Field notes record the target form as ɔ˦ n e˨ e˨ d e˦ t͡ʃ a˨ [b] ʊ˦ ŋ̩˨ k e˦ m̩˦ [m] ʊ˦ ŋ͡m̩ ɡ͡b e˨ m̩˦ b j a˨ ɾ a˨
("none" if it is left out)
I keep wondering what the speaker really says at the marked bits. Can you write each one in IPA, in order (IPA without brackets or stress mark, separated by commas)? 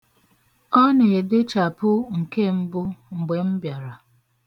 p, b